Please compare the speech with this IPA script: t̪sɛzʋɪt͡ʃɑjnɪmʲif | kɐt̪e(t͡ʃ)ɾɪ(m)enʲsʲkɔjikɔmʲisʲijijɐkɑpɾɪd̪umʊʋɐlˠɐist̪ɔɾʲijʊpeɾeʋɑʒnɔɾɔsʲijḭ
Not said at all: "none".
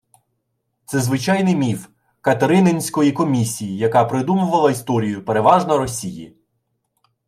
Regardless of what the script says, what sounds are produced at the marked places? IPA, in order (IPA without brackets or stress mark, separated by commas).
none, n